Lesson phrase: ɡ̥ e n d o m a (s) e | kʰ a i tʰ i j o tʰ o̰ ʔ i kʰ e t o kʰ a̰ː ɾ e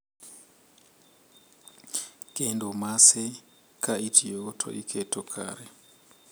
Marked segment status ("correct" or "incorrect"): correct